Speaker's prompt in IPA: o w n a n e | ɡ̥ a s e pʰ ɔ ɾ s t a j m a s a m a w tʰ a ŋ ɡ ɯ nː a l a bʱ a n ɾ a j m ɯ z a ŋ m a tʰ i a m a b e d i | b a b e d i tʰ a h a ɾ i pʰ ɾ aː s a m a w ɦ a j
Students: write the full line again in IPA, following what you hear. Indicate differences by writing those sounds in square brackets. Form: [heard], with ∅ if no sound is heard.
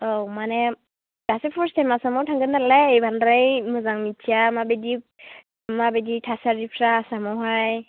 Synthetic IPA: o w [m] a n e | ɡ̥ a s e pʰ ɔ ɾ s t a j m a s a m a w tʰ a ŋ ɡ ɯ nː a l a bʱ a n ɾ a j m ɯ z a ŋ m [i] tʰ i a m a b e d i | [m] a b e d i tʰ a [s] a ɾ i pʰ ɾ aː s a m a w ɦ a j